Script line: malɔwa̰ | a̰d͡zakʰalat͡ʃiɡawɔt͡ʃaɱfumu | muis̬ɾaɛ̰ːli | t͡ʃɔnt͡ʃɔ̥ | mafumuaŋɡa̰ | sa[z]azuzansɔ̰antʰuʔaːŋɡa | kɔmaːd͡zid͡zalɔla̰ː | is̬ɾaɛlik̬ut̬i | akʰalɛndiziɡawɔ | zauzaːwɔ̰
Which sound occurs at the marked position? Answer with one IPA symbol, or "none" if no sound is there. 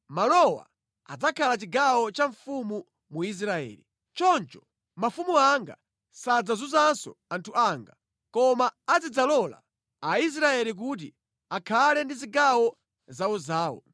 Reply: d͡z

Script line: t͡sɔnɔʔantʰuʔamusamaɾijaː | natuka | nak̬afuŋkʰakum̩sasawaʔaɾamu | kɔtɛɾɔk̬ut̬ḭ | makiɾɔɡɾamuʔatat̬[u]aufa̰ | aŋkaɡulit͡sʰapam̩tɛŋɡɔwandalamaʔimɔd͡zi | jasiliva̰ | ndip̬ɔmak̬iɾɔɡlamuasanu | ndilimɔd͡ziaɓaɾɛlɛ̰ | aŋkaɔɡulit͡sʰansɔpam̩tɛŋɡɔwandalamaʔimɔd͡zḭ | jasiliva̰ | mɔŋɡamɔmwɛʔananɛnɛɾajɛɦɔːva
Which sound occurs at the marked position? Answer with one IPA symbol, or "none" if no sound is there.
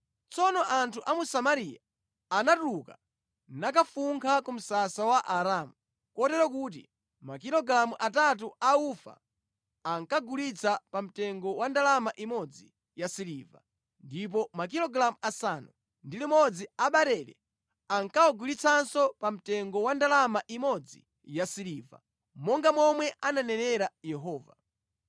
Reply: u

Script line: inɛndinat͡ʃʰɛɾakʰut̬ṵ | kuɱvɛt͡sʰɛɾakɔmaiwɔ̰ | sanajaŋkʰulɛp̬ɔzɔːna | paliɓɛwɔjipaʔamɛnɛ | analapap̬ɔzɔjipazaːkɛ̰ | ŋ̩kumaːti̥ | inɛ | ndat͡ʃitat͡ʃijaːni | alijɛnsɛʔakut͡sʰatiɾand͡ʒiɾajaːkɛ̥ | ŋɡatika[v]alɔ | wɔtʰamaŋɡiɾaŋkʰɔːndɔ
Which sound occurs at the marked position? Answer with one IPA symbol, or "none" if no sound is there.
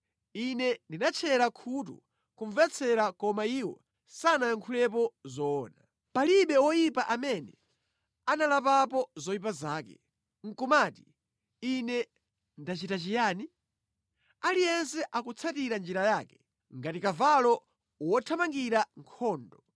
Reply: v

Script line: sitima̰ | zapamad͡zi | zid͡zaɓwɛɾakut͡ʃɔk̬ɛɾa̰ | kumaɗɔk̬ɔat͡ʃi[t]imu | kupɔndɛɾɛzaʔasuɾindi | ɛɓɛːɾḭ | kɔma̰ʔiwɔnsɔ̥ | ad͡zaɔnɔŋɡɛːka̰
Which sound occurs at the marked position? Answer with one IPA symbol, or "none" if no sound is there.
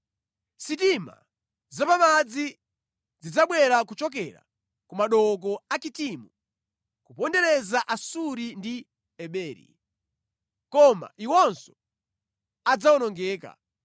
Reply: t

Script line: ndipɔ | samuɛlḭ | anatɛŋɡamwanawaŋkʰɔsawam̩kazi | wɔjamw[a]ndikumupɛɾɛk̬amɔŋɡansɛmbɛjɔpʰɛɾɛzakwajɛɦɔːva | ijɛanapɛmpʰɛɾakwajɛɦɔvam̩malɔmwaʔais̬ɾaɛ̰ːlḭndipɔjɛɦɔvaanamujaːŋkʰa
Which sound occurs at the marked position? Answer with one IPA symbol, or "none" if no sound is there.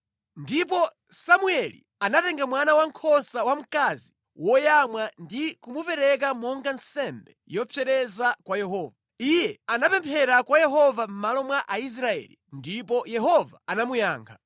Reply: a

